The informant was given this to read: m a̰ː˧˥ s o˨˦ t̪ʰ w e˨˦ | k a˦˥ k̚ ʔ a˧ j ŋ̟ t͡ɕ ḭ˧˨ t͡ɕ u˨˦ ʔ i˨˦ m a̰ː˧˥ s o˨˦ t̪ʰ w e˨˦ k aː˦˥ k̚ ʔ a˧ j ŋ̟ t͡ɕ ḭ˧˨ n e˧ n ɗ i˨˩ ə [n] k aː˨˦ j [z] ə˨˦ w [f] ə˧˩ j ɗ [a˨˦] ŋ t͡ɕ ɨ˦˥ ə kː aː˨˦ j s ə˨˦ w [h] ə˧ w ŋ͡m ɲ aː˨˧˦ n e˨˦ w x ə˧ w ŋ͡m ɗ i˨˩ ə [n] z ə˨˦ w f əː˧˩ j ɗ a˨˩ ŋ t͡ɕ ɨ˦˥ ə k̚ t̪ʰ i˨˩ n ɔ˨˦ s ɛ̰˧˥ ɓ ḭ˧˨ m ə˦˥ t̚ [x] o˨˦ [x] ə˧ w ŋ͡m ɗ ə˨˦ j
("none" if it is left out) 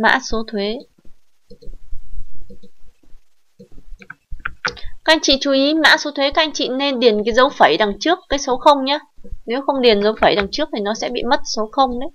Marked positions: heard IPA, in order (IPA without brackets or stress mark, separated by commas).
n, z, f, a˨˩, x, n, s, x